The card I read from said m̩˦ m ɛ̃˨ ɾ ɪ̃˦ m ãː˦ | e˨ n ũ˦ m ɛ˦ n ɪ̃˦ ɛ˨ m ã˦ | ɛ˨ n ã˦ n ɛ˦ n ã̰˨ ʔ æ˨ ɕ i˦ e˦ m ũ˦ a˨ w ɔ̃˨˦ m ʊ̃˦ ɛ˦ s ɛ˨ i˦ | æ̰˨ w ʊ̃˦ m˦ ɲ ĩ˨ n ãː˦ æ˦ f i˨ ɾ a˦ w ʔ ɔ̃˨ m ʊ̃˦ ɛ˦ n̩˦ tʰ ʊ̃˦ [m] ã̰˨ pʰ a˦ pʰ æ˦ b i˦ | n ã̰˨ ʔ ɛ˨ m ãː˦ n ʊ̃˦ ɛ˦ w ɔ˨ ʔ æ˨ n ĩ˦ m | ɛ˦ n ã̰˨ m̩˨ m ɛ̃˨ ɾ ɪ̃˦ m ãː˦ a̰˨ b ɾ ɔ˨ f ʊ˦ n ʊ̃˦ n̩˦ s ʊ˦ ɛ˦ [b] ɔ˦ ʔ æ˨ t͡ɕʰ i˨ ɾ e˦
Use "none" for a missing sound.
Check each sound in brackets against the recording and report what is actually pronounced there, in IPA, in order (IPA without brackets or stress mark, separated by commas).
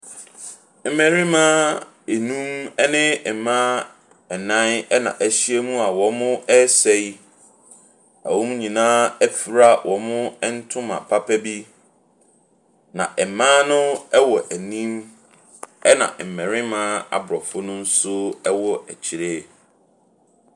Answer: m, w